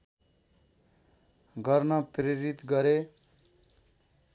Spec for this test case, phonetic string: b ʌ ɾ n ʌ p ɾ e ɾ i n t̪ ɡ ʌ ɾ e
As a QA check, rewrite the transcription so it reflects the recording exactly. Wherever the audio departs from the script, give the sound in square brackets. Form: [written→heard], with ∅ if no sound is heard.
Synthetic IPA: [b→ɡ] ʌ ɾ n ʌ p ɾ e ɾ i [n→∅] t̪ ɡ ʌ ɾ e